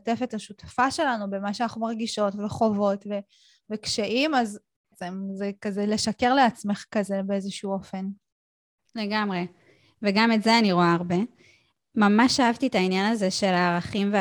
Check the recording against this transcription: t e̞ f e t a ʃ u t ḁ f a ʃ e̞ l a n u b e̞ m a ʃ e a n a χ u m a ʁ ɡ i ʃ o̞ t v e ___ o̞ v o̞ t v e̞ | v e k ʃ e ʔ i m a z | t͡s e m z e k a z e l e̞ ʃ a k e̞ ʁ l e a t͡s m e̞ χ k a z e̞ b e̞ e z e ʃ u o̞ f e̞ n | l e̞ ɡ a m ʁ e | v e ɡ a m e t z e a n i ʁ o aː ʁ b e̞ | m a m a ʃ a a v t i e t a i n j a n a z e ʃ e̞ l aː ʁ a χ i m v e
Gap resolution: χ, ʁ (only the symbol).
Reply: χ